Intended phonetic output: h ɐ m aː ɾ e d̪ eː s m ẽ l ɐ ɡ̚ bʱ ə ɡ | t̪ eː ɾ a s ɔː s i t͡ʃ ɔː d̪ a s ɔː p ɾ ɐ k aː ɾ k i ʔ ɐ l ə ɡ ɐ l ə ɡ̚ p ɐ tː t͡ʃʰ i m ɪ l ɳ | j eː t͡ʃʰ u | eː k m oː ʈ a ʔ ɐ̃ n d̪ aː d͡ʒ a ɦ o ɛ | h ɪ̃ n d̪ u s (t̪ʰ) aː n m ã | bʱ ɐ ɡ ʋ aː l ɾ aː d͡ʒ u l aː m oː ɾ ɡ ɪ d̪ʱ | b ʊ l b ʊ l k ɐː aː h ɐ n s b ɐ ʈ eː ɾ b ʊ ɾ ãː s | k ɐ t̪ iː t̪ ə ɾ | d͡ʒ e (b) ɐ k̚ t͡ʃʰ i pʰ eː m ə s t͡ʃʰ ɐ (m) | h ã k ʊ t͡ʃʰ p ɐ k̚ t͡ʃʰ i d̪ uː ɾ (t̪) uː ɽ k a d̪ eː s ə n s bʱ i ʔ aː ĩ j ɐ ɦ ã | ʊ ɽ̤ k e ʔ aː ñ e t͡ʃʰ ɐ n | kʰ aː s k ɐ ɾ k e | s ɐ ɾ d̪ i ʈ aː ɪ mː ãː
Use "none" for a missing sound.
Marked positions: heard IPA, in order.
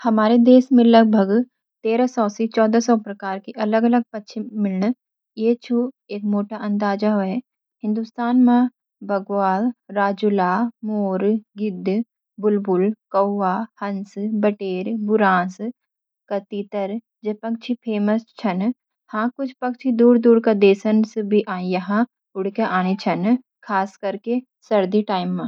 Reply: t̪, p, n, d̪

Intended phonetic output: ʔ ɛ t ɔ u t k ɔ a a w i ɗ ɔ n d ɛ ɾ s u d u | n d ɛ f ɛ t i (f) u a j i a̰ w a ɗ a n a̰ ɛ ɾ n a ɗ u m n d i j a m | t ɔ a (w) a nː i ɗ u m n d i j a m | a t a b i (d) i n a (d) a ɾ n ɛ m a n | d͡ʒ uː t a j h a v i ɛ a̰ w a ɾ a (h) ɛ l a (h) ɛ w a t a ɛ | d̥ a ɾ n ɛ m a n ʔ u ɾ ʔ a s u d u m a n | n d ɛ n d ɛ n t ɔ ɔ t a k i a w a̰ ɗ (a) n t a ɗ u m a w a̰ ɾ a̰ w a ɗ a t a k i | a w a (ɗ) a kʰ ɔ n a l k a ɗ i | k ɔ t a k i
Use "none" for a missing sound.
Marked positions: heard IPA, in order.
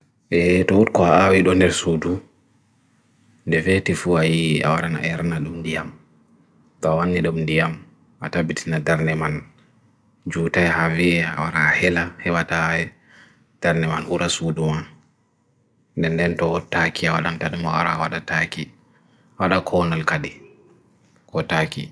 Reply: f, w, t, d, h, h, a, ɗ

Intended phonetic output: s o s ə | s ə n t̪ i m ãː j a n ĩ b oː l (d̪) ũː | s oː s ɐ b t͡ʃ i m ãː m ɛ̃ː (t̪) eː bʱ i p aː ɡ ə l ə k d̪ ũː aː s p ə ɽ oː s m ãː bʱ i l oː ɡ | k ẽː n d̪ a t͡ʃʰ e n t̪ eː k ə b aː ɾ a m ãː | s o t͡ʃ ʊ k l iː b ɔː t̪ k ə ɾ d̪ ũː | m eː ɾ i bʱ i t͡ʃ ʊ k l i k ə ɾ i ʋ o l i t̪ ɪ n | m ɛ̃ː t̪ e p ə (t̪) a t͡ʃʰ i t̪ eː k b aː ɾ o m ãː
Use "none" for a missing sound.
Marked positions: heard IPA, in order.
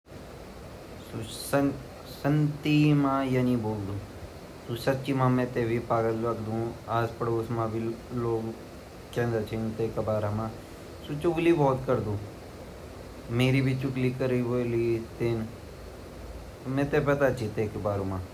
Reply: d̪, t̪, t̪

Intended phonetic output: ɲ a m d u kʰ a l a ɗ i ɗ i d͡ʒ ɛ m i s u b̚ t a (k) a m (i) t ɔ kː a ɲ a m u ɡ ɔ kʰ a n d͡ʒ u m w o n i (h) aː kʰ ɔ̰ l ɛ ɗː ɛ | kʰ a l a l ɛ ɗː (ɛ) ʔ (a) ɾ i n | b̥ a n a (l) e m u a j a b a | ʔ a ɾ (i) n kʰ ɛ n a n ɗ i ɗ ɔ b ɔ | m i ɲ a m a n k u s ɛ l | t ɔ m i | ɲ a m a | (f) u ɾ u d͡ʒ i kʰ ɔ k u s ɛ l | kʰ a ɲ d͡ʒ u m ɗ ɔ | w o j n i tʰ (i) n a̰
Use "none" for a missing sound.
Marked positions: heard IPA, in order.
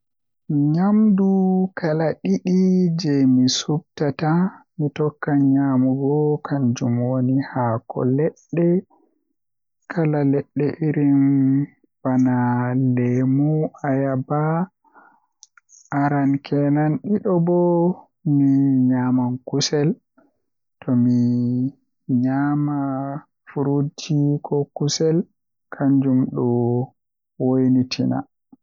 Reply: t, i, h, ɛ, i, l, a, f, i

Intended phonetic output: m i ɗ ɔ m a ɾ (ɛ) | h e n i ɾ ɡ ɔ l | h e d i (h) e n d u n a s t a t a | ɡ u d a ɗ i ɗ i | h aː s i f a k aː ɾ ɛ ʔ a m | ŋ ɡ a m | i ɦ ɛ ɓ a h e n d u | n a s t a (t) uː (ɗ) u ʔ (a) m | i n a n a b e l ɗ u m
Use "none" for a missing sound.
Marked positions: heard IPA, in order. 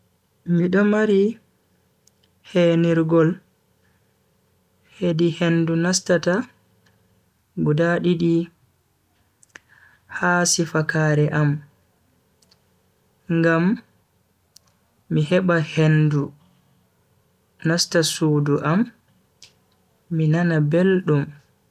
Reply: i, h, s, d, a

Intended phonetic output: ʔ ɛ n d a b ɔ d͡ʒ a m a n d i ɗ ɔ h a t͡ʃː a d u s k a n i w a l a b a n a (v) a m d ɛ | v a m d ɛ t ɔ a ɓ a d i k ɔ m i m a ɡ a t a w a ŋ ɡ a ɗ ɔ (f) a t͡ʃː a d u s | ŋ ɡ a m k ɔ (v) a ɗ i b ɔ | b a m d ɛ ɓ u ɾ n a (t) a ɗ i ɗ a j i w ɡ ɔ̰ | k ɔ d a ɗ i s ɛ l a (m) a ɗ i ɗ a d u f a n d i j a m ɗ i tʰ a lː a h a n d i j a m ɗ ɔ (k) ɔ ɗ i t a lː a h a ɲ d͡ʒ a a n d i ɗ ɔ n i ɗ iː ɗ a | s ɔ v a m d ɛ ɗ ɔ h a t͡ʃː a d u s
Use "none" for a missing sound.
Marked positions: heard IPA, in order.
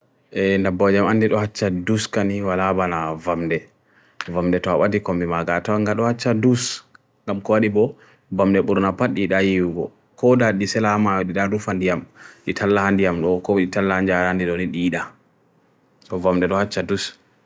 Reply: v, h, w, p, m, k

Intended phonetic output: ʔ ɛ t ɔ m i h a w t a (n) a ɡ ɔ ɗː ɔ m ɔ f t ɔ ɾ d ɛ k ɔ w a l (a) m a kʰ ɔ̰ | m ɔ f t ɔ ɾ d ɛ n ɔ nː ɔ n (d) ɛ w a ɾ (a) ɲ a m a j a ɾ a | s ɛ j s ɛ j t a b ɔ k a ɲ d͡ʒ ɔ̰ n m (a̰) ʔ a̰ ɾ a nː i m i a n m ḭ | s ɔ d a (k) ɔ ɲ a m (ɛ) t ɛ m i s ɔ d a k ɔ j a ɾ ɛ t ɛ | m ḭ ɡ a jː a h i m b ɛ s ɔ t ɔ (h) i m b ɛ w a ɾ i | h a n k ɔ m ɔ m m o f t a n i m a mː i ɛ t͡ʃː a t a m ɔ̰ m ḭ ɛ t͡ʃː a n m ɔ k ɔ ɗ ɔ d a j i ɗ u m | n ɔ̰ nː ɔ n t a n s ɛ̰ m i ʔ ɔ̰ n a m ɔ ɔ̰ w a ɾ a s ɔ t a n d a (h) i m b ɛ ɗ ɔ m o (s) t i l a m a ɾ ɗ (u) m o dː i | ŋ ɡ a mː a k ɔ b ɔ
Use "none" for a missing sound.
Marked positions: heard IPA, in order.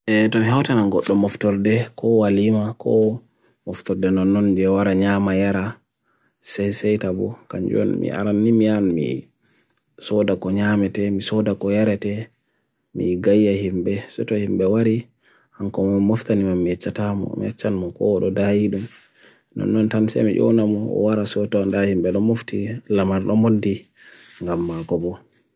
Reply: n, i, d͡ʒ, a, ḭ, k, ɛ, h, h, f, ɔ

